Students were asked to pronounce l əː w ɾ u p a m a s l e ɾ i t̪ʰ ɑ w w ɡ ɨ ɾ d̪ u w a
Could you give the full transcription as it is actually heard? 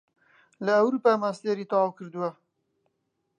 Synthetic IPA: l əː w ɾ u p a m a s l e ɾ i t̪ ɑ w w k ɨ ɾ d̪ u w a